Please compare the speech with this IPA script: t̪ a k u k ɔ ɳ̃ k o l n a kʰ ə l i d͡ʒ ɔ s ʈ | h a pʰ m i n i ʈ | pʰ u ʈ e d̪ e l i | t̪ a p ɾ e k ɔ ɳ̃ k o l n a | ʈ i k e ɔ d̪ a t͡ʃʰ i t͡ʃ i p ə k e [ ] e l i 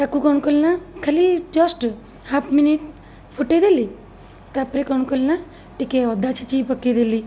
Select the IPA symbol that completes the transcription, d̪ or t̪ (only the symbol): d̪